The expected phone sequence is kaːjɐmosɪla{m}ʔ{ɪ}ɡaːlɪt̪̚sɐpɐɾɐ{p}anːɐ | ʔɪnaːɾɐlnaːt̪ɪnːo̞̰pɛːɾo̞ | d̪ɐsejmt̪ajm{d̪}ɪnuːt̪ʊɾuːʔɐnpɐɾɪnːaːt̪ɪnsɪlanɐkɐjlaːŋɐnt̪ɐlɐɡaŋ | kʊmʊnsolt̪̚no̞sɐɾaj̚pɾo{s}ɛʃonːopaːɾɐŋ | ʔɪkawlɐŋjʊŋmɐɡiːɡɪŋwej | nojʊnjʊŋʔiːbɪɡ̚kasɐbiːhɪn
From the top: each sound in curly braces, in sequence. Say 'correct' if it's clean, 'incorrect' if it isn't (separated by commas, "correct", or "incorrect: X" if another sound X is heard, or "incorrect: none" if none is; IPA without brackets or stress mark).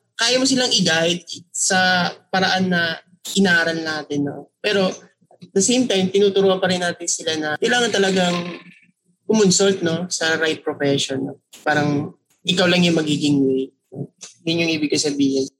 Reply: incorrect: ŋ, correct, incorrect: ʔ, incorrect: t̪, incorrect: f